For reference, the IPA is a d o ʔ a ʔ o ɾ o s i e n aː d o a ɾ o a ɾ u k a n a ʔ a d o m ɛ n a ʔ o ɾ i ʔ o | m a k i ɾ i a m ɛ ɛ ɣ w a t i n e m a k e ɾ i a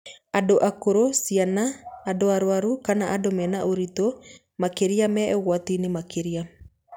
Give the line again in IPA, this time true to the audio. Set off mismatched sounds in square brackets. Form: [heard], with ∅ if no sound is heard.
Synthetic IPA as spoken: a d o ʔ a [k] o ɾ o s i [a] n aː d o a ɾ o a ɾ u k a n a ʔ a d o m ɛ n a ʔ o ɾ i [t] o | m a k [e] ɾ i a m ɛ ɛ ɣ w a t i n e m a k e ɾ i a